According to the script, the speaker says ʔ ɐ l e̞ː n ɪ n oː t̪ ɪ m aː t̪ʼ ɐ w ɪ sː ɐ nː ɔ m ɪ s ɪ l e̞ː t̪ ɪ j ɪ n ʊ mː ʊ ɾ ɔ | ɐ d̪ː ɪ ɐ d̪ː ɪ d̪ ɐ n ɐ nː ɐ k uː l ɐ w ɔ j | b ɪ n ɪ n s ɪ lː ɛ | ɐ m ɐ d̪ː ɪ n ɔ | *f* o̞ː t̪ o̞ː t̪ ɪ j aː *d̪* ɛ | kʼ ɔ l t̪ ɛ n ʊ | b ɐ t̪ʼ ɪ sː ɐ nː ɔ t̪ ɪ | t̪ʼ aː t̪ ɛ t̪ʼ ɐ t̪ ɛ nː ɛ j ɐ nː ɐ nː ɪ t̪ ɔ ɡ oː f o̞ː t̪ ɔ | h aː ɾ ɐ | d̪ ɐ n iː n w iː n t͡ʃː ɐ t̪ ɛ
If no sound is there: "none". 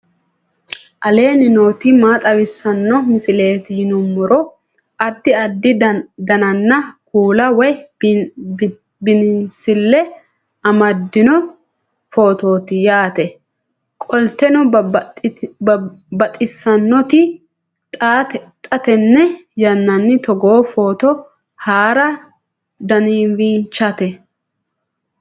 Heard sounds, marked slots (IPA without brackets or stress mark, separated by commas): f, t̪